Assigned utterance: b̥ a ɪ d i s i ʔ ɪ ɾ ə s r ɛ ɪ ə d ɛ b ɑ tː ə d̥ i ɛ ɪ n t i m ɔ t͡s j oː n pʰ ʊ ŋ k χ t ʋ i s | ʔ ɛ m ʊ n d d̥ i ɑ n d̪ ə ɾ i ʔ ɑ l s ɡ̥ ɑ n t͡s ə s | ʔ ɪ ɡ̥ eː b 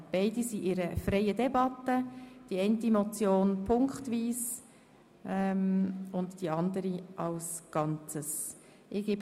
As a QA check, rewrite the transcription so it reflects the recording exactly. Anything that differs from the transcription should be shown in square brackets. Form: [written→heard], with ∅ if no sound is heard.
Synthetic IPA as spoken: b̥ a ɪ d i s i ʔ ɪ ɾ ə [s→f] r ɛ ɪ ə d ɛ b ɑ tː ə d̥ i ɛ ɪ n t i m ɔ t͡s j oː n pʰ ʊ ŋ k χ t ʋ [i→iː] s | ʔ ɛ m ʊ n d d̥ i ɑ n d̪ ə ɾ i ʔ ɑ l s ɡ̥ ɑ n t͡s ə s | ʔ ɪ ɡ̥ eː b